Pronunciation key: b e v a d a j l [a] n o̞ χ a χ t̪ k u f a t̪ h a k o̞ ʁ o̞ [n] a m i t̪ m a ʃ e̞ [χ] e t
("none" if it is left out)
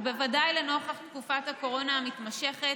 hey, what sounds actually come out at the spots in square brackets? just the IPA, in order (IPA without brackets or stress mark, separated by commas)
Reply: e, n, χ